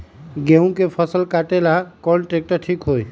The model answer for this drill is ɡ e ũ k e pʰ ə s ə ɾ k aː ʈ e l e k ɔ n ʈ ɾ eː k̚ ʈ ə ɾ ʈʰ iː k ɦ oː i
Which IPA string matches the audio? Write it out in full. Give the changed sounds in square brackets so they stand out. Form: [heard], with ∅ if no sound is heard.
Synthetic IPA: ɡ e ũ k e pʰ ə s ə [l] k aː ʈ e l [a] k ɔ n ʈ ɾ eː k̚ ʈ ə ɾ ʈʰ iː k ɦ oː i